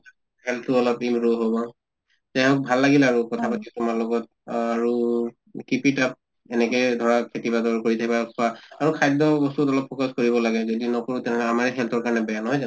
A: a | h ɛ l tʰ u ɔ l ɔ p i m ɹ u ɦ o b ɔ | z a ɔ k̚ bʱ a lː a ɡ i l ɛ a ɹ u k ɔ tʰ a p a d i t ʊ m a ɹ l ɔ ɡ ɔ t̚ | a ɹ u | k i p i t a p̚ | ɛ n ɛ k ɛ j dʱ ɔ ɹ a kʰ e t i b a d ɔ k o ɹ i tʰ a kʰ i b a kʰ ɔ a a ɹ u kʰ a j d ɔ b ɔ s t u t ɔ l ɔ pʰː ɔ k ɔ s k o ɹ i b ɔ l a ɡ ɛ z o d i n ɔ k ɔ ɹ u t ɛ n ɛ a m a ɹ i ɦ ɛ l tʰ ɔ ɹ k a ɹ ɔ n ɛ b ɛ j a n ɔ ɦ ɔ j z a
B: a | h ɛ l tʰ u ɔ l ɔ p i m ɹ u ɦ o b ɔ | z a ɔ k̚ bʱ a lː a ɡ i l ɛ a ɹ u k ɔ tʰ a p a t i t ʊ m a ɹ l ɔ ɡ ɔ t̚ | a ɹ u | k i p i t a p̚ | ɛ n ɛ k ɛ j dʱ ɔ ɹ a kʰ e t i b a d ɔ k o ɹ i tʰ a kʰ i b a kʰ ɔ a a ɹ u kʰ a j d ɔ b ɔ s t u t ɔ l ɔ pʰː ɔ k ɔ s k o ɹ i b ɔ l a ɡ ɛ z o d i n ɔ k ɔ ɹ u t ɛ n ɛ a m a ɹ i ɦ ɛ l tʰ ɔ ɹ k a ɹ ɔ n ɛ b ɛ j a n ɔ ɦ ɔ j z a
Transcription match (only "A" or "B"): B